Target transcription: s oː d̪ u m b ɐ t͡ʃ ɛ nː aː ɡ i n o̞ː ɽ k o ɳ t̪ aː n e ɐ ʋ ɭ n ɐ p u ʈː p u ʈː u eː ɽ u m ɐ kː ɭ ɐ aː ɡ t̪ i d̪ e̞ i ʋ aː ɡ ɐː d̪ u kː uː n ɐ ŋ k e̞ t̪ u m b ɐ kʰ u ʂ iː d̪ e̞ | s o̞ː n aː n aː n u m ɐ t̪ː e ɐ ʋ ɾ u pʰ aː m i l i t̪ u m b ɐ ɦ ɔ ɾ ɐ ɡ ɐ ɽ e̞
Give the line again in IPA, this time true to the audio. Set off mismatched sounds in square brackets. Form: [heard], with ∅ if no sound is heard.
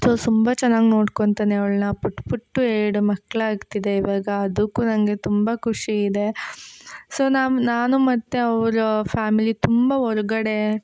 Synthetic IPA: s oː [t̪] u m b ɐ t͡ʃ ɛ nː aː ɡ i n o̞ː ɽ k o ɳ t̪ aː n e ɐ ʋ ɭ n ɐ p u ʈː p u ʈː u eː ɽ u m ɐ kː ɭ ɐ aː ɡ t̪ i d̪ e̞ i ʋ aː ɡ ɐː d̪ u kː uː n ɐ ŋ [ɡ] e̞ t̪ u m b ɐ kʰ u ʂ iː d̪ e̞ | s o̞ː n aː n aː n u m ɐ t̪ː e ɐ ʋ ɾ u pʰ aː m i l i t̪ u m b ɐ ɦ ɔ ɾ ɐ ɡ ɐ ɽ e̞